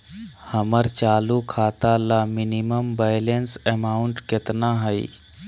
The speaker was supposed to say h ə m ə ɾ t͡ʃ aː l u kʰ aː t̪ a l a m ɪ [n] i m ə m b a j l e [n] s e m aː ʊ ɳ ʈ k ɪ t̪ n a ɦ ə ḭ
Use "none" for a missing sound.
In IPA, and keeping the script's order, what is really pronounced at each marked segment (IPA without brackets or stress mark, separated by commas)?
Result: n, n